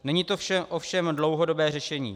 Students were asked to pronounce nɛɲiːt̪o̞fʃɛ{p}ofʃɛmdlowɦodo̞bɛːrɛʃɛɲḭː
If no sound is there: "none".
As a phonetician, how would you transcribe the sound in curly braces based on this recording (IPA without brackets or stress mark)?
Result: ʔ